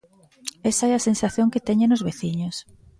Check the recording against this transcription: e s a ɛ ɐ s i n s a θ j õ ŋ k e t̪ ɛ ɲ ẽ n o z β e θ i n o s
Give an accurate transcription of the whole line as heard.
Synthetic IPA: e s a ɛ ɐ s e n s a θ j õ ŋ k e t̪ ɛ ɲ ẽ n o z β e θ i ɲ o s